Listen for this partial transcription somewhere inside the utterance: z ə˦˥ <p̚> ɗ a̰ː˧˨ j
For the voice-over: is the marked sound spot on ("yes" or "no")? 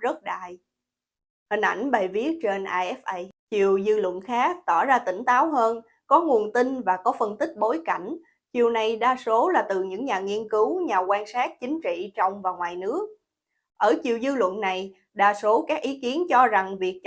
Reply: no